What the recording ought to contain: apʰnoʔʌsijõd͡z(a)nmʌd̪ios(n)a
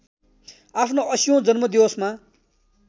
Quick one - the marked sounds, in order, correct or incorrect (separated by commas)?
incorrect, incorrect